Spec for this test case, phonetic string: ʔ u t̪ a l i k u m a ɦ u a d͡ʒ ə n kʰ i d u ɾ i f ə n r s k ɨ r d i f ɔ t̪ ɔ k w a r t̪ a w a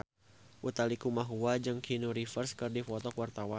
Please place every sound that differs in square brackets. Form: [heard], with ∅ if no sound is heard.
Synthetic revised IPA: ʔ u t̪ a l i k u m a ɦ u a d͡ʒ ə [ŋ] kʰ i [n] u ɾ i f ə [∅] r s k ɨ r d i f ɔ t̪ ɔ k w a r t̪ a w a